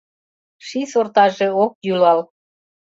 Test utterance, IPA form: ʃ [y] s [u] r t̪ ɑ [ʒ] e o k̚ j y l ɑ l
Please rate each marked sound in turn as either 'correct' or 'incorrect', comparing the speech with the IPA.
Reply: incorrect: i, incorrect: o, correct

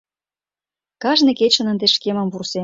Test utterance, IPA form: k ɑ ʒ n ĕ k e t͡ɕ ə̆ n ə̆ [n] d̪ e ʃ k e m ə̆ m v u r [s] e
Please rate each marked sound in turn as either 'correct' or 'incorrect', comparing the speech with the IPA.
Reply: correct, correct

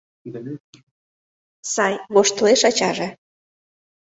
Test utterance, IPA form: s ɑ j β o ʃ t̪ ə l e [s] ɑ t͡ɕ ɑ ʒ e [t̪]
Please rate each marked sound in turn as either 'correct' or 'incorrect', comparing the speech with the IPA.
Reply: incorrect: ʃ, incorrect: none

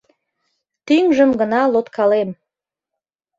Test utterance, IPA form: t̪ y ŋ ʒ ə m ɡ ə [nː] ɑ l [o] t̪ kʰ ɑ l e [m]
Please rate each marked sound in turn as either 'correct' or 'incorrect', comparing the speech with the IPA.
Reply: incorrect: n, correct, correct

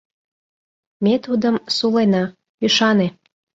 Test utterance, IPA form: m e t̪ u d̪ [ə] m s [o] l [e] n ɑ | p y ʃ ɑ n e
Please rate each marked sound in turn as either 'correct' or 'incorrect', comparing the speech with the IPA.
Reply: correct, incorrect: u, correct

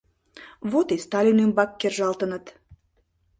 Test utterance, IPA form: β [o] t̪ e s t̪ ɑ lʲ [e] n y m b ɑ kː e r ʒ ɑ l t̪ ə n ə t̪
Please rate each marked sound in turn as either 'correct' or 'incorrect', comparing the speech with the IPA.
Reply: correct, incorrect: i

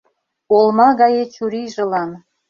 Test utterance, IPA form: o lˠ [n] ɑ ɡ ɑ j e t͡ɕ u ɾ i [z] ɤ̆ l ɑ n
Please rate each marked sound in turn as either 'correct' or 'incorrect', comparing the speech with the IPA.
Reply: incorrect: m, incorrect: ʒ

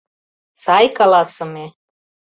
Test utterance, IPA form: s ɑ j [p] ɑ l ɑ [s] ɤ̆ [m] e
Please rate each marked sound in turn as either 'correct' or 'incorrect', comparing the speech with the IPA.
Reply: incorrect: k, correct, correct

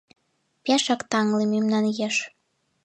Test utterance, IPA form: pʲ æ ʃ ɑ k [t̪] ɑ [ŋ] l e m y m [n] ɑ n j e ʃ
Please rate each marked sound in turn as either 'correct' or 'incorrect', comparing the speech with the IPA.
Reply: correct, correct, correct

